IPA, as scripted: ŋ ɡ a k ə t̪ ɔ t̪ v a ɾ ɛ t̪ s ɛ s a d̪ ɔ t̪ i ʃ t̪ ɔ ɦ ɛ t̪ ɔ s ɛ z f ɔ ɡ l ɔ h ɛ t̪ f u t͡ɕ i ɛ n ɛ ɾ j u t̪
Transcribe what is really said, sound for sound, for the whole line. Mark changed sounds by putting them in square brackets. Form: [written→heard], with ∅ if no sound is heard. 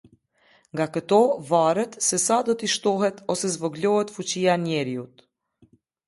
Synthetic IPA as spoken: ŋ ɡ a k ə t̪ ɔ [t̪→∅] v a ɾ ɛ t̪ s ɛ s a d̪ ɔ t̪ i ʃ t̪ ɔ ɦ ɛ t̪ ɔ s ɛ z [f→v] ɔ ɡ l ɔ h ɛ t̪ f u t͡ɕ i [ɛ→a] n ɛ ɾ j u t̪